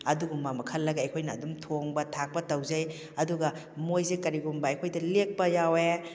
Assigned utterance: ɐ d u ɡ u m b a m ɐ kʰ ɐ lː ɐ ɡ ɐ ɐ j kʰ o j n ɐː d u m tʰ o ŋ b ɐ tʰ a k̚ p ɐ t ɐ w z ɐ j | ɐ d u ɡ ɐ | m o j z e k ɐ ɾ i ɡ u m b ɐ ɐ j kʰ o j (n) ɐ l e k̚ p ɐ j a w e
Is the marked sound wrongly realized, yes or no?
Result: yes